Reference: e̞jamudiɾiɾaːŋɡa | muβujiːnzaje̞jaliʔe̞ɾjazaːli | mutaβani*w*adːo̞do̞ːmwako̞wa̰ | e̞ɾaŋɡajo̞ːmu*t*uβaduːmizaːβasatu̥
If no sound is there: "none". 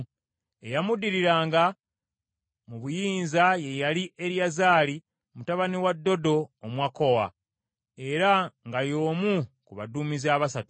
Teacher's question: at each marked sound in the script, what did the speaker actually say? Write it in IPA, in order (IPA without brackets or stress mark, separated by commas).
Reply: w, k